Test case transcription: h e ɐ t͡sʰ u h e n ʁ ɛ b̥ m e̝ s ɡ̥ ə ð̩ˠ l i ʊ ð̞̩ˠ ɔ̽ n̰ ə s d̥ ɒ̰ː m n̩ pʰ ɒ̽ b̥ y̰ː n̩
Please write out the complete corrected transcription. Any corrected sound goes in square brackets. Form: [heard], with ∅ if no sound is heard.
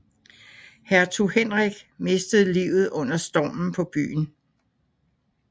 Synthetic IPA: h [æ] ɐ t͡sʰ u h e n ʁ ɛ [ɡ̥] m e̝ s [d̥] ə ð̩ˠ l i ʊ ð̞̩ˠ ɔ̽ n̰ [ɐ] s d̥ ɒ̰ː m n̩ pʰ ɒ̽ b̥ y̰ː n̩